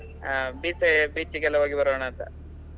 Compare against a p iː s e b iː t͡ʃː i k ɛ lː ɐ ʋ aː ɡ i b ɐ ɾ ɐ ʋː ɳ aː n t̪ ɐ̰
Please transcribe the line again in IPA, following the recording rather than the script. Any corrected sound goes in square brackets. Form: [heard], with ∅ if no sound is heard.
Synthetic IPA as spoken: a [b] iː s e b iː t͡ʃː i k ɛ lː ɐ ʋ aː ɡ i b ɐ ɾ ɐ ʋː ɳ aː n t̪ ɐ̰